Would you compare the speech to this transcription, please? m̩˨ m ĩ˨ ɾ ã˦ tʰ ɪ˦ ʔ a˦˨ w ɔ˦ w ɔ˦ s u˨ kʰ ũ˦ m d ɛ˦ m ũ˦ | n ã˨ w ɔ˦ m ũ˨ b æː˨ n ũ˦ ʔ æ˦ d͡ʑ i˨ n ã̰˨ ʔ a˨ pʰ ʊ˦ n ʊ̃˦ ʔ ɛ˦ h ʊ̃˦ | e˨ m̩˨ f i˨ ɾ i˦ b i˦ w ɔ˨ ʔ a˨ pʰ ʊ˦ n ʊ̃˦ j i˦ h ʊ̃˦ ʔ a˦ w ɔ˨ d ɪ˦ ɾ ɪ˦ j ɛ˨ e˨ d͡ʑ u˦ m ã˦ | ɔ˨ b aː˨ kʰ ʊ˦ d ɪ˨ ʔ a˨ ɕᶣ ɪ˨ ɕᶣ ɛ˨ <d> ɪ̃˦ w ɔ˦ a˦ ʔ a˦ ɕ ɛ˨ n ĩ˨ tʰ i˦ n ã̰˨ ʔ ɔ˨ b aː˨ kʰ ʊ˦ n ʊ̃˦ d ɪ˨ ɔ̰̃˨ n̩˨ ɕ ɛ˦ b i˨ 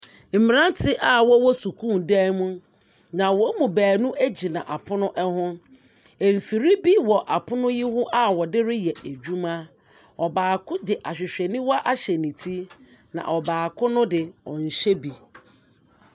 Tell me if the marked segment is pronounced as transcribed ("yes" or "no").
no